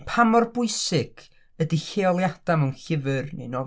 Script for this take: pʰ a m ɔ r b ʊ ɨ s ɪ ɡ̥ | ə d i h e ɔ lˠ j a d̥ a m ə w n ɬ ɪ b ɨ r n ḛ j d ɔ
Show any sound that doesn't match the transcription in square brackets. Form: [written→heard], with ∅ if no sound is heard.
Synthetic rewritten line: pʰ a m ɔ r b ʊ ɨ s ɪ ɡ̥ | ə d i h e ɔ lˠ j a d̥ a m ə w n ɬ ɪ [b→v] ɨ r n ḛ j [d→n] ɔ